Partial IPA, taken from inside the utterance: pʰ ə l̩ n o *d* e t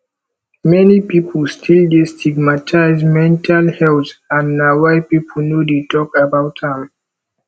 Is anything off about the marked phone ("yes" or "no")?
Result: no